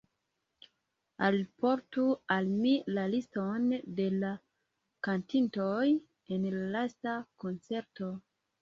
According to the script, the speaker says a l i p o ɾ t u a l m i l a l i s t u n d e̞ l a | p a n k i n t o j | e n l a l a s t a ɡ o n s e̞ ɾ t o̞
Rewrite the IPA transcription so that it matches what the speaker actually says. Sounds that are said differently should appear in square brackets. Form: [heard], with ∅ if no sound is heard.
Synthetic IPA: a l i p o ɾ t u a l m i l a l i s t [o] n d e̞ l a | [k] a n [t] i n t o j | e n l a l a s t a [k] o n [t͡s] e̞ ɾ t o̞